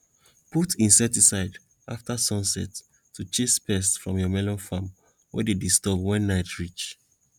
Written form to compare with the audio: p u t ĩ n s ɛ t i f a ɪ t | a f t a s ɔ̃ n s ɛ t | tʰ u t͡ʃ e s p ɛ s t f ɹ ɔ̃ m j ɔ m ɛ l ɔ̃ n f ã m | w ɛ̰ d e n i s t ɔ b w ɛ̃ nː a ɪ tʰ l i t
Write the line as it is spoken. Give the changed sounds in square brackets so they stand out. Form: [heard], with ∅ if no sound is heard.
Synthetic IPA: p u t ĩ n s ɛ t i [s] a ɪ [d] | a f t a s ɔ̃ n s ɛ t | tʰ u t͡ʃ e s p ɛ s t f ɹ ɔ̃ m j ɔ m ɛ l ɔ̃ n f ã m | w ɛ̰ d e [d] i s t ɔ b w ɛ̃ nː a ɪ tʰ [ɹ] i [t͡ʃ]